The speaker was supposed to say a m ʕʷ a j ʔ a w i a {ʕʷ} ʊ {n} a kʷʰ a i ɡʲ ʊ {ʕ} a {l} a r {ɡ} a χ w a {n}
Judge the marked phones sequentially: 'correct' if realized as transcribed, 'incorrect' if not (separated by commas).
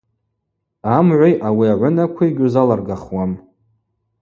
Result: correct, correct, incorrect, correct, correct, incorrect